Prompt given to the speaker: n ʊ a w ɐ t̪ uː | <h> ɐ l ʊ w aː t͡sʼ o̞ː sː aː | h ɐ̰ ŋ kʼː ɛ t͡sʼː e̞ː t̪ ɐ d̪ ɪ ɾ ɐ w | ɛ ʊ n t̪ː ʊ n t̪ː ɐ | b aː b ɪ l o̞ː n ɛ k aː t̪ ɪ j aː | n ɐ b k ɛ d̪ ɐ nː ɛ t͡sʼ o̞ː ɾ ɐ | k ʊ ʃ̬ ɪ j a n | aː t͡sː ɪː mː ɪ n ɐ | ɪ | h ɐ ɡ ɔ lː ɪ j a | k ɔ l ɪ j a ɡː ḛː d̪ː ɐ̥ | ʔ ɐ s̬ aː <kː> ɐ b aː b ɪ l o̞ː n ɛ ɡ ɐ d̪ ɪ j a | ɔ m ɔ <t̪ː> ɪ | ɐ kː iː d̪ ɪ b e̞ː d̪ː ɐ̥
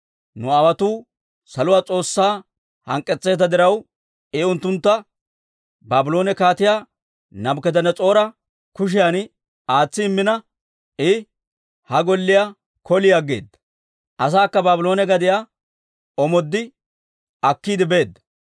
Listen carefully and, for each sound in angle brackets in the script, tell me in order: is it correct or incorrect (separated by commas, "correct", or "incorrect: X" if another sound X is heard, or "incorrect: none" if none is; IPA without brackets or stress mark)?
incorrect: s, correct, incorrect: d̪ː